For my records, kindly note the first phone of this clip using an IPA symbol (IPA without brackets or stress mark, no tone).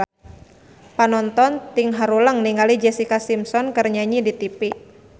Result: p